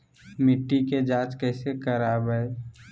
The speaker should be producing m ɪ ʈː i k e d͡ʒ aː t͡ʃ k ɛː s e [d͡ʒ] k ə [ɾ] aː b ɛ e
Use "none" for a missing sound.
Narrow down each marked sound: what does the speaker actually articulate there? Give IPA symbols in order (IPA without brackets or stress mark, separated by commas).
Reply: none, ɾ